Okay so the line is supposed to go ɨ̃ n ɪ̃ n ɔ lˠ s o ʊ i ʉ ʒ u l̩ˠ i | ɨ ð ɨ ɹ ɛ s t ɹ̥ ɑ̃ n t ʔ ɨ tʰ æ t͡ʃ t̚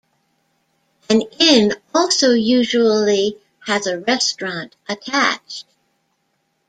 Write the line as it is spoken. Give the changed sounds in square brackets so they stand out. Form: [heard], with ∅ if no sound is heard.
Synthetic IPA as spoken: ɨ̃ n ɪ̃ n ɔ lˠ s o ʊ [j] ʉ ʒ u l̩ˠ i | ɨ [z] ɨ ɹ ɛ s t ɹ̥ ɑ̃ n t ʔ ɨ tʰ æ t͡ʃ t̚